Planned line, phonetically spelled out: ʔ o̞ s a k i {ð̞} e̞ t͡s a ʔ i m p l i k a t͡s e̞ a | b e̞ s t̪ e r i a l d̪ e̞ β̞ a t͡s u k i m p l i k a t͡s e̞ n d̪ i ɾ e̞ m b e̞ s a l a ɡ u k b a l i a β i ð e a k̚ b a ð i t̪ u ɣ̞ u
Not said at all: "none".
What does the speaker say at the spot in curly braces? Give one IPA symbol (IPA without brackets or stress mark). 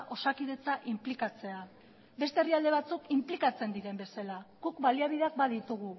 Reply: ð̞